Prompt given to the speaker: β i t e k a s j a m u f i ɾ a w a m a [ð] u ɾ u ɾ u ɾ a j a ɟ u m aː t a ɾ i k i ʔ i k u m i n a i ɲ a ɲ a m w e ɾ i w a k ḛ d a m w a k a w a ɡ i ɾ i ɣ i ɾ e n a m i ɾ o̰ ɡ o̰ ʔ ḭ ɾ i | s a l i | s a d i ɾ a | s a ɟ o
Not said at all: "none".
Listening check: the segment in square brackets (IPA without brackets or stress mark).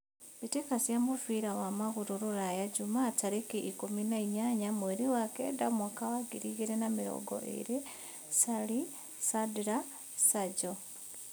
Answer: ɣ